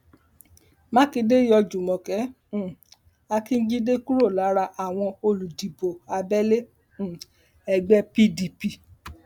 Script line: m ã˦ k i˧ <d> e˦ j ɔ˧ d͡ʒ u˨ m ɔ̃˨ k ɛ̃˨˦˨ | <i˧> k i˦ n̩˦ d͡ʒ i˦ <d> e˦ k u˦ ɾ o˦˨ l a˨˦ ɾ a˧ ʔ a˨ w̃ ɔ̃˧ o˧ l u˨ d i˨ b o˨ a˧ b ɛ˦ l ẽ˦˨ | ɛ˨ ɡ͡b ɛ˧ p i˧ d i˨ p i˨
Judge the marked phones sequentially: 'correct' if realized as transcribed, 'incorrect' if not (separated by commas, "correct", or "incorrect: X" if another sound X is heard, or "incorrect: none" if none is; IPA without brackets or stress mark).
correct, incorrect: a˧, correct